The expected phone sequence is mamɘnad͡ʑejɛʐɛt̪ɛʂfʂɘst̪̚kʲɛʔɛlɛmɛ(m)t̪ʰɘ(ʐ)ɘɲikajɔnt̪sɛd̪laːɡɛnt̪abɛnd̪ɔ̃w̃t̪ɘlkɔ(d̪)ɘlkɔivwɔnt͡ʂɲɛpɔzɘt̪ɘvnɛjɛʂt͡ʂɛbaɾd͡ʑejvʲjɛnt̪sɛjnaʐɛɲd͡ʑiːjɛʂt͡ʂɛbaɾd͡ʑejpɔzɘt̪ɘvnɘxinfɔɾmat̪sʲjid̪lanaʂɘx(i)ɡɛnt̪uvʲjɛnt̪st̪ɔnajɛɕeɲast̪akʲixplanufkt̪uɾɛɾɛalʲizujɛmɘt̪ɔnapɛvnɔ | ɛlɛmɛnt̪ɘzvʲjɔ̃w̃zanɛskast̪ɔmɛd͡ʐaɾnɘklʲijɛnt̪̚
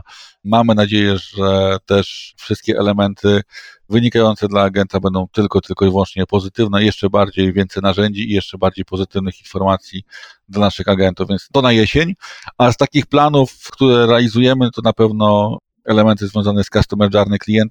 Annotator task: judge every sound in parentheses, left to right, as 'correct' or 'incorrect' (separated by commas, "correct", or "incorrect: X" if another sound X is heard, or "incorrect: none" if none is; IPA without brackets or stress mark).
incorrect: n, incorrect: v, incorrect: t̪, incorrect: a